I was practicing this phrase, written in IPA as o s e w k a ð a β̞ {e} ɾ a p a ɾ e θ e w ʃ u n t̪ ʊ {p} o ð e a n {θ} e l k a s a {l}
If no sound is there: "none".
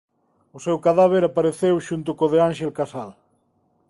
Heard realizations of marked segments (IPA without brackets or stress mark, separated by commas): e, k, ʃ, l